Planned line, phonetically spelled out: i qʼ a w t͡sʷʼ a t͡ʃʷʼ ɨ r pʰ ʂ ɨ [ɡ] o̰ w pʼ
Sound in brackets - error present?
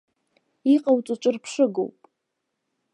no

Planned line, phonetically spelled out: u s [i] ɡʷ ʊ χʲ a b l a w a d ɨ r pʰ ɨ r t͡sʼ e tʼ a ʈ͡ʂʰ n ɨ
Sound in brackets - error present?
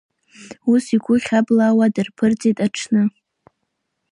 no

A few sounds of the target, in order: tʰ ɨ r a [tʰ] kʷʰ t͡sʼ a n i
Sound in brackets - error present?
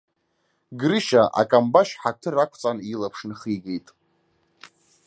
yes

